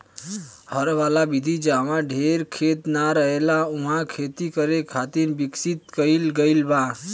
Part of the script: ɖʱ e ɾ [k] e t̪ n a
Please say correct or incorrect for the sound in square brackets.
incorrect: kʰ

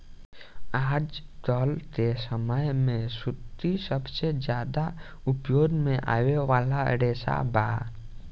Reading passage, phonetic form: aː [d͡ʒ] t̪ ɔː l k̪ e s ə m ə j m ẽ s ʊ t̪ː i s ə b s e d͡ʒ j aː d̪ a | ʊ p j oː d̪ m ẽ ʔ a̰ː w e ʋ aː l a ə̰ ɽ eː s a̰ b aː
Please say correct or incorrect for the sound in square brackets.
correct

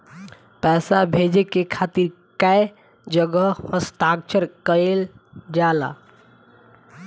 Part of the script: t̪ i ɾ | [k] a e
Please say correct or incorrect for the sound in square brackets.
correct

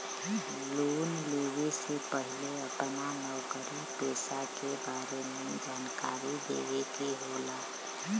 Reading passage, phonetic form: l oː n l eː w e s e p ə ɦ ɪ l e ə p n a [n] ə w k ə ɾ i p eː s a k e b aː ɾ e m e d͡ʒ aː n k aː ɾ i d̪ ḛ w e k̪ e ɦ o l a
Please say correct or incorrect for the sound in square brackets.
correct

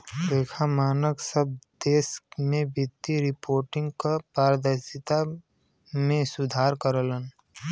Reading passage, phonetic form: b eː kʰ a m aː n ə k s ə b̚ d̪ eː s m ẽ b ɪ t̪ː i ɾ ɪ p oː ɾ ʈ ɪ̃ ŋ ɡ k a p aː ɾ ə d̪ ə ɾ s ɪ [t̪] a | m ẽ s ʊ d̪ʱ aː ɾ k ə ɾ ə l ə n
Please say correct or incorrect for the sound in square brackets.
correct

